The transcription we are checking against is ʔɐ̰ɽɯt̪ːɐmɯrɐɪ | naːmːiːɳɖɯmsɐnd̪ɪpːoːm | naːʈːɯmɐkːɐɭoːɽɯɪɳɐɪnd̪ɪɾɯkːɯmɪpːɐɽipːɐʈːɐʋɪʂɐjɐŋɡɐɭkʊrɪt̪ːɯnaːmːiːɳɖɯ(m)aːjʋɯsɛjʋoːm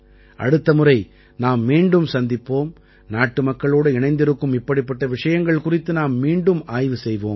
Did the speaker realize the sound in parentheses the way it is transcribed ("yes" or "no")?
yes